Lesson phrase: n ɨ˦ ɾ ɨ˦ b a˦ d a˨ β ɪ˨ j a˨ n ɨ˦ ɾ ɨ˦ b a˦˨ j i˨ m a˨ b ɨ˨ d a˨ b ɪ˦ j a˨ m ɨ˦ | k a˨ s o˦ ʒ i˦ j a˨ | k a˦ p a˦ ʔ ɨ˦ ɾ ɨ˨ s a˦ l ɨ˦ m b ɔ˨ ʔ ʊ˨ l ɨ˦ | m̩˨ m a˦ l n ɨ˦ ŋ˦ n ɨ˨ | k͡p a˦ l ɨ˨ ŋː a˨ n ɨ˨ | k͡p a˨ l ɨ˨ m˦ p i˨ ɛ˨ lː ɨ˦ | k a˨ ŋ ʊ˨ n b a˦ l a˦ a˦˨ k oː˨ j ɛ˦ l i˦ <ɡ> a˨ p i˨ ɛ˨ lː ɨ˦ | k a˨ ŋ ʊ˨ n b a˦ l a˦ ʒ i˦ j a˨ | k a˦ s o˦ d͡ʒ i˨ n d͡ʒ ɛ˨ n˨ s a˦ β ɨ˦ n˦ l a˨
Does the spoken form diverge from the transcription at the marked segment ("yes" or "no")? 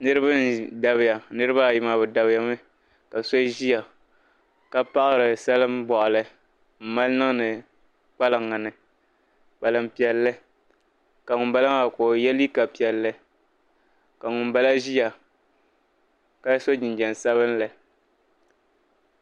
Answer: yes